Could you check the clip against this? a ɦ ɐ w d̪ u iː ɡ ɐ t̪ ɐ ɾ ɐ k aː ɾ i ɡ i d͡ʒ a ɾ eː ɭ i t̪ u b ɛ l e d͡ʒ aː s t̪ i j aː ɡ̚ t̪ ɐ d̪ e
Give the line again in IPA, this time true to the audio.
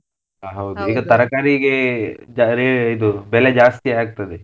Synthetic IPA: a ɦ ɐ w d̪ u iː ɡ ɐ t̪ ɐ ɾ ɐ k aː ɾ i ɡ e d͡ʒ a ɾ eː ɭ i d̪ u b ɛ l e d͡ʒ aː s t̪ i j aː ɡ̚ t̪ ɐ d̪ e